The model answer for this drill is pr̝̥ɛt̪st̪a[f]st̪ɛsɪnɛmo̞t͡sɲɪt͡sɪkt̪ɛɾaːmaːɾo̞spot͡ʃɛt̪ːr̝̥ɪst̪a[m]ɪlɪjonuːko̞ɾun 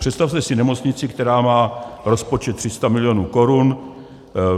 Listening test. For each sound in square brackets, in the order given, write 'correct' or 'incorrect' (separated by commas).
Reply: correct, correct